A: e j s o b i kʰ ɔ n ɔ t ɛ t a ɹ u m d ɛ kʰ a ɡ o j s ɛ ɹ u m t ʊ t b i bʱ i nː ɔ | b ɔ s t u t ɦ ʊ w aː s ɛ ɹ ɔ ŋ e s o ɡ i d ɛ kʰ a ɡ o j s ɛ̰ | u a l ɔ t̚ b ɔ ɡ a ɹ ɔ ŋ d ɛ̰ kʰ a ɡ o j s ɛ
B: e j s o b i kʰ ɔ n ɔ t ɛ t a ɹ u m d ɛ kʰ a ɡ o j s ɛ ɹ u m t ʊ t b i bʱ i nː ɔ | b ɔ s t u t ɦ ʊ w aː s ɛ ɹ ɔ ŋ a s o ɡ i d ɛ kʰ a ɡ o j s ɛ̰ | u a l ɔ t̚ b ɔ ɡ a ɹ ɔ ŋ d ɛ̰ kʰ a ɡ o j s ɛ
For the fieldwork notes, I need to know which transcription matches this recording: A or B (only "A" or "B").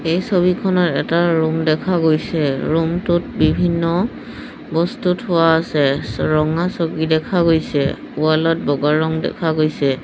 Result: B